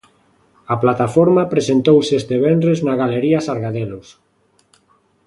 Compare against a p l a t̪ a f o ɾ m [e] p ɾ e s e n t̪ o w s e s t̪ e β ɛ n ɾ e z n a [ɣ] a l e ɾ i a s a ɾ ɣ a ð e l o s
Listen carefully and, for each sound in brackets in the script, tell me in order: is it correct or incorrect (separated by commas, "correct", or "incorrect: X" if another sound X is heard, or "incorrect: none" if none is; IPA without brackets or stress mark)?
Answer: incorrect: a, correct